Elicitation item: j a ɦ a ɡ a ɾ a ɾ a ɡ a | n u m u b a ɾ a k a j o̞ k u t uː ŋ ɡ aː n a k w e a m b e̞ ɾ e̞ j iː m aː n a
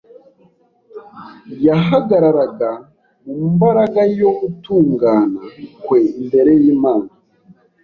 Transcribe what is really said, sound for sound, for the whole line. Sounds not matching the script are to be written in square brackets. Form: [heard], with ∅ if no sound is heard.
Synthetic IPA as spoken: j a ɦ a ɡ a ɾ a ɾ a ɡ a | [m] u m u b a ɾ a [ɡ] a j o̞ [ɡ] u t uː ŋ ɡ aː n a k w e [i] m b e̞ ɾ e̞ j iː m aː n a